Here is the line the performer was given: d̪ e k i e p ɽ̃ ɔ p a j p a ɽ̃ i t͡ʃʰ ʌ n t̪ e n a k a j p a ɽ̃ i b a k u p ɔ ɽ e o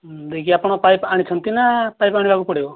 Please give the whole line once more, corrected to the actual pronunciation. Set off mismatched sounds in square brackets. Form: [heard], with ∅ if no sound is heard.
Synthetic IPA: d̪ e k i [a] p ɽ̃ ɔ p a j p a ɽ̃ i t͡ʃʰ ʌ n t̪ [i] n a [p] a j p a ɽ̃ i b a k u p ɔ ɽ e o